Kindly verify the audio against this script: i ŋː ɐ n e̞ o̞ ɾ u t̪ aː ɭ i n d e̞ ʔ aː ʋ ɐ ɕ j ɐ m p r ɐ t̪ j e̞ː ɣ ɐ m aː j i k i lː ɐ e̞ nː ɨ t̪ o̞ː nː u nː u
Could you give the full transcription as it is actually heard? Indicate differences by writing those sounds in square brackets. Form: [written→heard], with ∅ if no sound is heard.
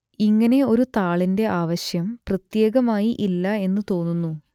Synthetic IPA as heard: i ŋː ɐ n e̞ o̞ ɾ u t̪ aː ɭ i n d e̞ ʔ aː ʋ ɐ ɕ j ɐ m p r ɐ t̪ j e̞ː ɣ ɐ m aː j i [k→ʔ] i lː ɐ e̞ nː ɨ t̪ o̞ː nː u nː u